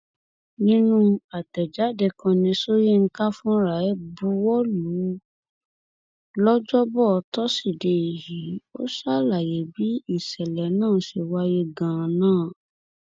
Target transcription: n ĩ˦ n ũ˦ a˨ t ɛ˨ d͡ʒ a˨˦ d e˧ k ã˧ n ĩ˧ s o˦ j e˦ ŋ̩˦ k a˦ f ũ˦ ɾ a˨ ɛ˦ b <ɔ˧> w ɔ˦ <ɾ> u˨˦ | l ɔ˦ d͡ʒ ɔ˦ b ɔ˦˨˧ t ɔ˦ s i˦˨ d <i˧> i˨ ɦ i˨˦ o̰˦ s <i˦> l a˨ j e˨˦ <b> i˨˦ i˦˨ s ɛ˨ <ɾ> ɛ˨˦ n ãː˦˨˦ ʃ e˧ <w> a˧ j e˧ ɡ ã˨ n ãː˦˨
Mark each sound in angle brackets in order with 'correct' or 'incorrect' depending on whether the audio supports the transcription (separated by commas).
incorrect, incorrect, incorrect, incorrect, correct, incorrect, correct